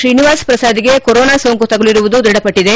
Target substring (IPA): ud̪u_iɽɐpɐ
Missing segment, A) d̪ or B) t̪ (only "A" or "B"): A